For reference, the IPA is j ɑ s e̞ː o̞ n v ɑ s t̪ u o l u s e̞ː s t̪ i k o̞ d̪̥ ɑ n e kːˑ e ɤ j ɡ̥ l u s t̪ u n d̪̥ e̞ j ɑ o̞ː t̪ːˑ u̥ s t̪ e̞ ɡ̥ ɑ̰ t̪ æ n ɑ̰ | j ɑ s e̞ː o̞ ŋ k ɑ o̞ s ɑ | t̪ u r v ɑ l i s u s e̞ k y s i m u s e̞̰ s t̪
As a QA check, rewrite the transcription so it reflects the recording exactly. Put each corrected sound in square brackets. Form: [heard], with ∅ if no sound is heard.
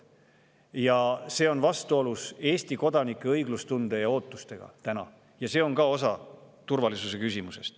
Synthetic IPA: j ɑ s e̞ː o̞ n v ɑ s t̪ u o l u s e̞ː s t̪ i k o̞ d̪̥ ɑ n [i] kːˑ e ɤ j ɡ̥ l u s t̪ u n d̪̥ e̞ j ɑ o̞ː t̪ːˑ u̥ s t̪ e̞ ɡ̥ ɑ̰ t̪ æ n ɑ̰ | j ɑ s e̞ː o̞ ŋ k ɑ o̞ s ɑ | t̪ u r v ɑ l i s u s e̞ k y s i m u s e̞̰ s t̪